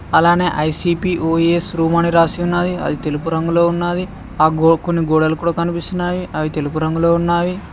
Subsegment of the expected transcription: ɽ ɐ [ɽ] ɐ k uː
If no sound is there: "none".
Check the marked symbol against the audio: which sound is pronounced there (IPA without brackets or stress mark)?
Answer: l